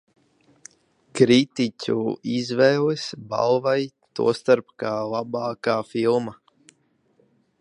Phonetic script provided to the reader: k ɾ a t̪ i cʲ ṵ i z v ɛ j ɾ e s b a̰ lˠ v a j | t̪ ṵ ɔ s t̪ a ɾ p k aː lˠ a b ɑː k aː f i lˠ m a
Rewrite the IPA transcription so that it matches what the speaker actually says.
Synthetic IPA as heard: k ɾ i t̪ i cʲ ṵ i z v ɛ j l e s b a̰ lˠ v a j | t̪ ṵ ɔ s t̪ a ɾ p k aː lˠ a b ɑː k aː f i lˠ m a